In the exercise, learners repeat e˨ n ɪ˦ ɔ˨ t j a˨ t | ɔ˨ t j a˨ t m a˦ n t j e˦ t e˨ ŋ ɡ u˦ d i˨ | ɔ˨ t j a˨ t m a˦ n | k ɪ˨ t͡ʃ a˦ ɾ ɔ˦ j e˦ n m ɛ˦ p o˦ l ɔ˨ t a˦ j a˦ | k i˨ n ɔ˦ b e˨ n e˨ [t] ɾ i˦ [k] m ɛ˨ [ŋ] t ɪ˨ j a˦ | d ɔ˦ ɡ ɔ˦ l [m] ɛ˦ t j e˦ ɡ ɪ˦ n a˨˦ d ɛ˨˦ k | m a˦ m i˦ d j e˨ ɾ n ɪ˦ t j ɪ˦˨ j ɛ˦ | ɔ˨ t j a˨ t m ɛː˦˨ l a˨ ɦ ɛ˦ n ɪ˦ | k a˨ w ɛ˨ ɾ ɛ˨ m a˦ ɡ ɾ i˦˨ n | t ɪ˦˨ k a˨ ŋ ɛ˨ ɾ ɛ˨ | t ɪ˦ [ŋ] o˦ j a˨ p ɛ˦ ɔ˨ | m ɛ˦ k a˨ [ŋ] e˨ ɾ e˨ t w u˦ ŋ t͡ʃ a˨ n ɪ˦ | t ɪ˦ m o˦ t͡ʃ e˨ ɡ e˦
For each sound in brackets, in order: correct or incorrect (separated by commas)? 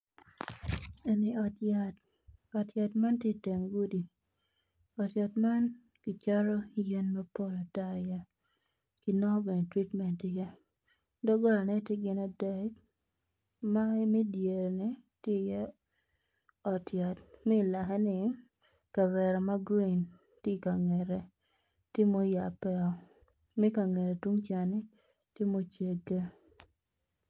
correct, incorrect, incorrect, incorrect, incorrect, correct